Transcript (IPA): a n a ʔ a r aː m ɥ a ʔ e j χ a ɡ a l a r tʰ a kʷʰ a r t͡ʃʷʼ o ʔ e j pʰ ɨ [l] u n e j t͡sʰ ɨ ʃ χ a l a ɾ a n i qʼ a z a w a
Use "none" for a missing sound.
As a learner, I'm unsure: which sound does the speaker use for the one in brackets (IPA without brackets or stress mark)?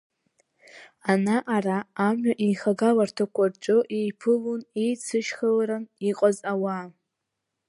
l